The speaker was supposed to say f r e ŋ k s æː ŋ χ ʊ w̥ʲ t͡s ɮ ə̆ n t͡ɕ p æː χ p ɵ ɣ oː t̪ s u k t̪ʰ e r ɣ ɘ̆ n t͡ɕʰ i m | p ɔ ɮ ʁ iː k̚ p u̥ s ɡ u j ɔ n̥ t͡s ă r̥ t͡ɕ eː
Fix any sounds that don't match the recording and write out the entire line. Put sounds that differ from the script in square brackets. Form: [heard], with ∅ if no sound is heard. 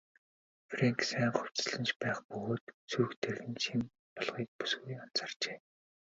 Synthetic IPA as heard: f r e ŋ k s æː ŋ χ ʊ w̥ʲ t͡s ɮ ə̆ n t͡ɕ p æː χ p ɵ ɣ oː t̪ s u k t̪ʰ e r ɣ ɘ̆ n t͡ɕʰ i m | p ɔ ɮ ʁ iː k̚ p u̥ s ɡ u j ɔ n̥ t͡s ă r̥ t͡ɕ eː

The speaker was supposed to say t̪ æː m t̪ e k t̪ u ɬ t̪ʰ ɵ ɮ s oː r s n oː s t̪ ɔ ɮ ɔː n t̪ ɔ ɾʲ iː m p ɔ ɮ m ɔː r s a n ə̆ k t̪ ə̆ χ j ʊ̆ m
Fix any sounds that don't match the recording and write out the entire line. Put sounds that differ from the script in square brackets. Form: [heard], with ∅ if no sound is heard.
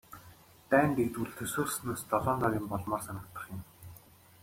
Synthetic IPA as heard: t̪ æː [n] t̪ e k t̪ u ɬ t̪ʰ ɵ [∅] s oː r s n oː s t̪ ɔ ɮ ɔː n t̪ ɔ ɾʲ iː m p ɔ ɮ m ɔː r s a n ə̆ k t̪ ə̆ χ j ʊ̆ m

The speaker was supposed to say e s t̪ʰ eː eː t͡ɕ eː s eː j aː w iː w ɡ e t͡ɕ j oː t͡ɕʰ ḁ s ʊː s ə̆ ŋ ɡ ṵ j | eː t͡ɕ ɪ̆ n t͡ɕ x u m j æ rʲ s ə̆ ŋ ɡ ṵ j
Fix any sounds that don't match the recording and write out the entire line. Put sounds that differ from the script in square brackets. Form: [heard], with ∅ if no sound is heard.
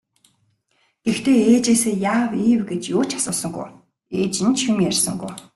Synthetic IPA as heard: e [x] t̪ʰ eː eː t͡ɕ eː s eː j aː w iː w ɡ e t͡ɕ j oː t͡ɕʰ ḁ s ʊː s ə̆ ŋ ɡ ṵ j | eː t͡ɕ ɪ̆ n t͡ɕ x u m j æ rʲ s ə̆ ŋ ɡ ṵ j

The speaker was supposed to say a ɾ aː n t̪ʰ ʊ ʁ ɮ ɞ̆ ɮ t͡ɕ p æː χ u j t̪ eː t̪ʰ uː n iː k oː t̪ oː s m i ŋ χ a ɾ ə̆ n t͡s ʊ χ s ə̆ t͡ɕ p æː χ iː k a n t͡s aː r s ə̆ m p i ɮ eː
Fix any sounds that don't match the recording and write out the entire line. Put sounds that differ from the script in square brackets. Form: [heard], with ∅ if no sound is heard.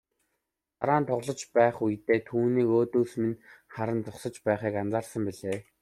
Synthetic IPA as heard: a ɾ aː n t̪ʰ ʊ ʁ ɮ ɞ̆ [∅] t͡ɕ p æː χ u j t̪ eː t̪ʰ uː n iː k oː t̪ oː s m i [n] χ a ɾ ə̆ n t͡s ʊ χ s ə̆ t͡ɕ p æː χ iː k a n t͡s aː r s ə̆ m p i ɮ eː

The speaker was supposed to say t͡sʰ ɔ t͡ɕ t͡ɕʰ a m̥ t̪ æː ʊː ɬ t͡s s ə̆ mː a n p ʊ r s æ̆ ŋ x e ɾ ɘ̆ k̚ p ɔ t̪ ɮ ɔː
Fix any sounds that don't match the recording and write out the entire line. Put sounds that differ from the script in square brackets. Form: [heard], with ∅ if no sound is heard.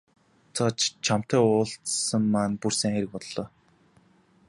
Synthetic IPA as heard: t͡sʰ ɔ t͡ɕ t͡ɕʰ a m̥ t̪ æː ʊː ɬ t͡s s ə̆ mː a n p [u] r s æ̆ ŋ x e ɾ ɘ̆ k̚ p ɔ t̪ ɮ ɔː

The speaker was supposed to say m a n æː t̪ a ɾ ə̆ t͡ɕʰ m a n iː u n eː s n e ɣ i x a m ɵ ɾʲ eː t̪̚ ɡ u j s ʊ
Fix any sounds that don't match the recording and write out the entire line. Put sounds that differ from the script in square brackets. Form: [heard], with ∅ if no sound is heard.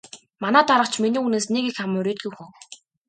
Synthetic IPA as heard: m a n æː t̪ a ɾ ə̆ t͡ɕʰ m [i] n iː u n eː s n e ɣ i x a m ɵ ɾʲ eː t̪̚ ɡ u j [x] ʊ

